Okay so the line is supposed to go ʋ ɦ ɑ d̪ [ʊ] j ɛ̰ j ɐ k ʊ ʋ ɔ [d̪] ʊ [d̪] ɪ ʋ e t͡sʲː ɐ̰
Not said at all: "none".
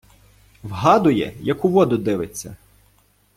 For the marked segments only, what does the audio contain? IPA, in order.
ʊ, d̪, d̪

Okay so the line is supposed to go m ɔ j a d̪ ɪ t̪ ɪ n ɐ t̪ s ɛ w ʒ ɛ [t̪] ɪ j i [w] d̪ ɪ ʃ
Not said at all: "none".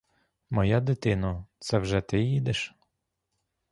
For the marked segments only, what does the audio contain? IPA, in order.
t̪, none

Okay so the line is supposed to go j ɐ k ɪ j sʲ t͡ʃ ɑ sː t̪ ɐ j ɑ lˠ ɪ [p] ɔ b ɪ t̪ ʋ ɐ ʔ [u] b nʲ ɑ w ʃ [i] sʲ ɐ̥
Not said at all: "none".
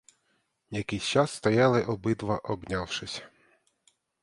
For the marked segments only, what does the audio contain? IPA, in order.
ʔ, ɔ, ɪ

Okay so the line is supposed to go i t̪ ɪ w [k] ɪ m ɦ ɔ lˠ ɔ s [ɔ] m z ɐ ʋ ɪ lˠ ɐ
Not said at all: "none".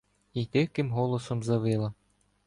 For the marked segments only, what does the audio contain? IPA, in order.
k, ɔ

